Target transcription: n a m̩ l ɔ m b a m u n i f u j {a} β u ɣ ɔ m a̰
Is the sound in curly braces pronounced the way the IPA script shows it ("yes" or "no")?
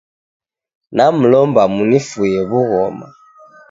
no